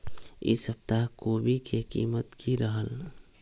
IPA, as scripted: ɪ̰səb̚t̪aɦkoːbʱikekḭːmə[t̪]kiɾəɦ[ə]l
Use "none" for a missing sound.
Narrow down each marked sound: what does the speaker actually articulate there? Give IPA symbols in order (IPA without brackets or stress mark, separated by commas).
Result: t̪, ə